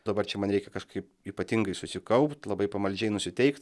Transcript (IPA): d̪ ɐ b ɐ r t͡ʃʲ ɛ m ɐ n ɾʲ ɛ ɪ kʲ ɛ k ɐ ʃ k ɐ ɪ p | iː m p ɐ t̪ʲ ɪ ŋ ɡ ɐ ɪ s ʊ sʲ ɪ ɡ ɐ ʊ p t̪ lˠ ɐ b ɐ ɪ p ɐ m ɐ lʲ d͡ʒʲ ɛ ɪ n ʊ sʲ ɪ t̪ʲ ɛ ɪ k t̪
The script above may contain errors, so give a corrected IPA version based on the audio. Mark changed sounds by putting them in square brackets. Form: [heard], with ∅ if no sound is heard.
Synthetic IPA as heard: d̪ ɐ b ɐ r t͡ʃʲ ɛ m ɐ n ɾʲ ɛ ɪ kʲ ɛ k ɐ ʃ k ɐ ɪ p | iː [∅] p ɐ t̪ʲ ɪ ŋ ɡ ɐ ɪ s ʊ sʲ ɪ [k] ɐ ʊ p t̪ lˠ ɐ b ɐ ɪ p ɐ m ɐ lʲ d͡ʒʲ ɛ ɪ n ʊ sʲ ɪ t̪ʲ ɛ ɪ k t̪